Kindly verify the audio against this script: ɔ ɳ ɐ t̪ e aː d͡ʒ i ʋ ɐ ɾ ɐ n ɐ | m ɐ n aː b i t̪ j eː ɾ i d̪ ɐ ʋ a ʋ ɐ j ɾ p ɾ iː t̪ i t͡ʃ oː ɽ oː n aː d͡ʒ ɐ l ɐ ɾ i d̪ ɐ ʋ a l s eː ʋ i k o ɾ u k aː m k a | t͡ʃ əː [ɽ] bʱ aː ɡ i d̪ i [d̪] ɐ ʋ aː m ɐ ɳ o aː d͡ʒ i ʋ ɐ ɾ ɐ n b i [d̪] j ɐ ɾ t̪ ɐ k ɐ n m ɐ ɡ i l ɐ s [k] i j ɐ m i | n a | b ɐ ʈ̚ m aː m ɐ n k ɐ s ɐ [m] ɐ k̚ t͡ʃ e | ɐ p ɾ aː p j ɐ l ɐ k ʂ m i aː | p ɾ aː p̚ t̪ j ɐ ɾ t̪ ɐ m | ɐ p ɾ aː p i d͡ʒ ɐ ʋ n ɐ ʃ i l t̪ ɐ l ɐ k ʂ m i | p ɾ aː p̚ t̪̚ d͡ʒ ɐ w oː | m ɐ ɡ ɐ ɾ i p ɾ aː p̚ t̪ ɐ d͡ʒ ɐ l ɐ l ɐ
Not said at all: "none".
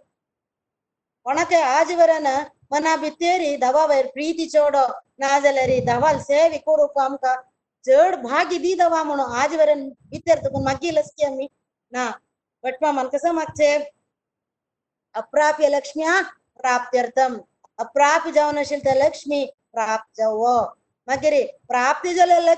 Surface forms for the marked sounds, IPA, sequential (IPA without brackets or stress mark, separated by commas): ɽ, d̪, t̪, k, m